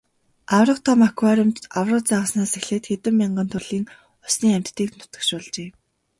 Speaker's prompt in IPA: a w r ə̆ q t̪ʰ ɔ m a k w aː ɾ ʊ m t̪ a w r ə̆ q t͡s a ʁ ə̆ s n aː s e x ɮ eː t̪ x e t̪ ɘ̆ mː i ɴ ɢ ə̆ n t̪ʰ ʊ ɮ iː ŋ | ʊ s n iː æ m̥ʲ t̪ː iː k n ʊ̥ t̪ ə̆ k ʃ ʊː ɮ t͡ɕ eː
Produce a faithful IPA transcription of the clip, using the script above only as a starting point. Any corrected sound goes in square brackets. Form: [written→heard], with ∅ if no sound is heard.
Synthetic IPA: a w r ə̆ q t̪ʰ ɔ m a k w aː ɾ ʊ m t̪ a w r ə̆ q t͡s a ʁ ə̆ s n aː s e x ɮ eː t̪ x e t̪ ɘ̆ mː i ɴ ɢ ə̆ n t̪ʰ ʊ ɮ iː ŋ | ʊ s n iː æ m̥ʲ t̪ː iː k n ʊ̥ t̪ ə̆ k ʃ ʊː ɮ t͡ɕ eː